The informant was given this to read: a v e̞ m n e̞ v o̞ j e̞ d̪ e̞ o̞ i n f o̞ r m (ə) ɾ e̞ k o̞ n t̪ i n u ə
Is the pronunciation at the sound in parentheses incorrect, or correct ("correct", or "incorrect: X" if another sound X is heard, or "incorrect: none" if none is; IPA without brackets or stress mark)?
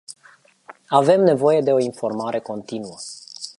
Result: incorrect: a